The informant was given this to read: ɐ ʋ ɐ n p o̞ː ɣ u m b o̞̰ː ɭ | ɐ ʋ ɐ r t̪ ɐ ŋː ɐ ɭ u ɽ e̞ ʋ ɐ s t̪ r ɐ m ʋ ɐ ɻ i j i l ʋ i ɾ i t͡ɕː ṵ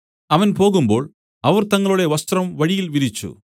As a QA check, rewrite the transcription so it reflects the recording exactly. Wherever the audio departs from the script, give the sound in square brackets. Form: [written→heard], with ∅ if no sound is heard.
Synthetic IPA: ɐ ʋ ɐ n p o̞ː ɣ u m b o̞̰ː ɭ | ɐ ʋ ɐ r t̪ ɐ ŋː ɐ ɭ u ɽ e̞ ʋ ɐ s t̪ r ɐ m ʋ ɐ ɻ i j i l ʋ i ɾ i t͡ɕː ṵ